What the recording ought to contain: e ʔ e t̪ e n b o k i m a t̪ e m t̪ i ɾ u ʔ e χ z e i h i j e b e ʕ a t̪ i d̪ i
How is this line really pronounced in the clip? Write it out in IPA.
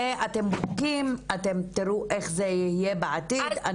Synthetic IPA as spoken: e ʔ a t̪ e m b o k i m a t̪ e m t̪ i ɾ u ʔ e χ z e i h i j e b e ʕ a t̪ i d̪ a